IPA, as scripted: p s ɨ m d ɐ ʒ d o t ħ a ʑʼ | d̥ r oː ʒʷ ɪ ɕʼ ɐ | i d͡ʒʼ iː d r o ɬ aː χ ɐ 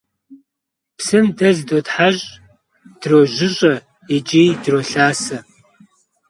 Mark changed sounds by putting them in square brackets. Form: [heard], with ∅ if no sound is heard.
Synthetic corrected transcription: p s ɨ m d ɐ [z] d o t ħ a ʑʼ | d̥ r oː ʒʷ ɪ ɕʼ ɐ | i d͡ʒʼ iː d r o ɬ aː [s] ɐ